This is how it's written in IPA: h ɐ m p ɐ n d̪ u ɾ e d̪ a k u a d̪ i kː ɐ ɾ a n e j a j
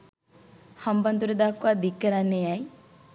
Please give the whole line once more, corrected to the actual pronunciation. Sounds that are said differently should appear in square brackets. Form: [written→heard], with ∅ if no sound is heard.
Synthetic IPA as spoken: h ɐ m [p→b] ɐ n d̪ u ɾ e d̪ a k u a d̪ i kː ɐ ɾ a n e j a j

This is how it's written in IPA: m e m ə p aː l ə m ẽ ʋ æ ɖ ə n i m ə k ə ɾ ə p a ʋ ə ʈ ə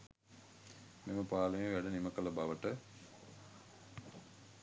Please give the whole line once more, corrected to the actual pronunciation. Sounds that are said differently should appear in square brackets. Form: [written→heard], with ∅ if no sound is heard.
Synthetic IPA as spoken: m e m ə p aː l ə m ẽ ʋ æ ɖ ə n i m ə k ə [ɾ→l] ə [p→b] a ʋ ə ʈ ə

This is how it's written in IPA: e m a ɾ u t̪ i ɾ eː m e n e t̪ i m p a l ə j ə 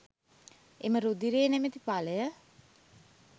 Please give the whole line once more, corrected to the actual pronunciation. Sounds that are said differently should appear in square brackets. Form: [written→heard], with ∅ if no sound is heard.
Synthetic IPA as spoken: e m [a→ə] ɾ u [t̪→d̪] i ɾ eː [m→n] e [n→m] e t̪ i [m→∅] p a l ə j ə

